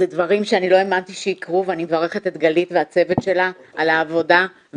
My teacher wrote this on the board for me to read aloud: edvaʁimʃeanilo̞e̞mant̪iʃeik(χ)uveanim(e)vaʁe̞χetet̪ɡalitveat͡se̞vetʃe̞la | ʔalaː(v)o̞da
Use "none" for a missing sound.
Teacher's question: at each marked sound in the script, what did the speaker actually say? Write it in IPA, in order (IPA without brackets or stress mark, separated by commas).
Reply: ʁ, e, v